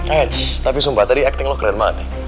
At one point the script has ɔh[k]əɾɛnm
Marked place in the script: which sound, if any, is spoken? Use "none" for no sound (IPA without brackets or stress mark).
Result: k